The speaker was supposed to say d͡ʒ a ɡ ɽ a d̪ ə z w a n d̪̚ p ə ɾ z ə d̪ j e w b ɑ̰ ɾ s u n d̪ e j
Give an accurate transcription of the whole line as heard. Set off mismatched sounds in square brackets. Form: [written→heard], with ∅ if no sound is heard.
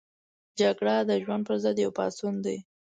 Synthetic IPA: d͡ʒ a ɡ ɽ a d̪ ə [z→ʒ] w a n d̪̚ p ə ɾ z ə d̪ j [e→a] w [b→p] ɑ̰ [ɾ→∅] s u n d̪ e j